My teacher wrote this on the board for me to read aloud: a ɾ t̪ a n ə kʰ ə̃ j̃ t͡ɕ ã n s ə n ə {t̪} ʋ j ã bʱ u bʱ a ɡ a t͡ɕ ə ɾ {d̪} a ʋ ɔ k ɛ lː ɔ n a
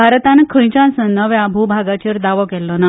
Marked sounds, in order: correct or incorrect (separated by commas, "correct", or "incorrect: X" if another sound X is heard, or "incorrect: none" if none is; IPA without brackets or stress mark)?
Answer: incorrect: none, correct